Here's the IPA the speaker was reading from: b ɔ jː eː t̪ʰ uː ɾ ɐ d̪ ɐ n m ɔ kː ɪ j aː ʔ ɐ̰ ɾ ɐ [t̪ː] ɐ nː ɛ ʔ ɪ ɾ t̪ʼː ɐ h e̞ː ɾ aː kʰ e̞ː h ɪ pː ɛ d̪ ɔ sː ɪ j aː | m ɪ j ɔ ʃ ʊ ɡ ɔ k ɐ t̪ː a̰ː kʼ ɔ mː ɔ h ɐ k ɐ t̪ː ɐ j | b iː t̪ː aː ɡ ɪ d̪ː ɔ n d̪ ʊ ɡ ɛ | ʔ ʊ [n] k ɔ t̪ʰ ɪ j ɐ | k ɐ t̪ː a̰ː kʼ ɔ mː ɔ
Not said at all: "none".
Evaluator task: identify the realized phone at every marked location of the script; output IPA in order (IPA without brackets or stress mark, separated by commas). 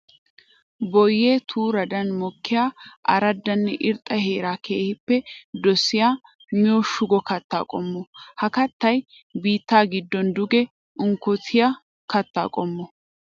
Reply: d̪ː, ŋ